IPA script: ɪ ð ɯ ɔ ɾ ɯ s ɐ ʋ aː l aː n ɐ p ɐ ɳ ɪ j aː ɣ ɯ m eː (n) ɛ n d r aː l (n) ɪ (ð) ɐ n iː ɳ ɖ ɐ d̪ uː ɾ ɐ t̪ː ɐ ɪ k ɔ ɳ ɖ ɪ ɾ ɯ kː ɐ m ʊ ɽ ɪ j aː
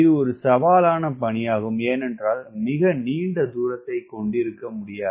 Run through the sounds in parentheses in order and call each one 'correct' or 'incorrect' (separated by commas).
correct, incorrect, incorrect